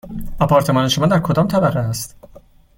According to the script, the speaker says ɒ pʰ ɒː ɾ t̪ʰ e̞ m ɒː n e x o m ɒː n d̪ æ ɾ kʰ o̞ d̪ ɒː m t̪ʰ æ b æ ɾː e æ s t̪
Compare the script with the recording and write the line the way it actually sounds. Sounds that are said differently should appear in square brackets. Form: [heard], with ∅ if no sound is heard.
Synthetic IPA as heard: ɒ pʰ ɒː ɾ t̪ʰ e̞ m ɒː n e [ʃ] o m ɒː n d̪ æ ɾ kʰ o̞ d̪ ɒː m t̪ʰ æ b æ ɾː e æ s t̪